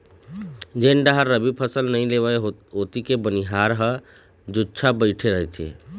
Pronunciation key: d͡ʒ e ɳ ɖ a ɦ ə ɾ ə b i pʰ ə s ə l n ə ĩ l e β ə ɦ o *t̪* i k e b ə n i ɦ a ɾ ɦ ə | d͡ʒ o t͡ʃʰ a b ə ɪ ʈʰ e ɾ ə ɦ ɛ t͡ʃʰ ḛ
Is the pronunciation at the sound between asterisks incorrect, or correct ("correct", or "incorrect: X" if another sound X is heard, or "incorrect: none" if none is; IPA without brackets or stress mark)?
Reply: correct